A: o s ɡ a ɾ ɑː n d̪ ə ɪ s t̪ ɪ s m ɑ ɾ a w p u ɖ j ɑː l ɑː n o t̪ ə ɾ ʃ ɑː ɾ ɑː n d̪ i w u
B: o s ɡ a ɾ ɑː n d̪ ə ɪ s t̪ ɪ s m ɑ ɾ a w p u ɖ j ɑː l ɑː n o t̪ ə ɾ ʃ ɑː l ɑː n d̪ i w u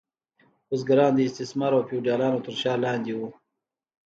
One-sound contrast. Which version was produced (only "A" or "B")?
B